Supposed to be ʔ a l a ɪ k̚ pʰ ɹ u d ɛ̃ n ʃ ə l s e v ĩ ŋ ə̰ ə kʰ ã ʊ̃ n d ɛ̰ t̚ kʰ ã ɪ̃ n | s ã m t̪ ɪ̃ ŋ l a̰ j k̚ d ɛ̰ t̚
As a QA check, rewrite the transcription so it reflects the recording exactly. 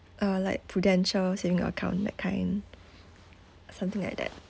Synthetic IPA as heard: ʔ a l a ɪ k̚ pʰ ɹ u d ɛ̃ n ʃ ə l s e v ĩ ŋ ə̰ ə kʰ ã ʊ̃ n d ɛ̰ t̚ kʰ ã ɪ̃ n | s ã m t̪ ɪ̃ ŋ l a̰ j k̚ d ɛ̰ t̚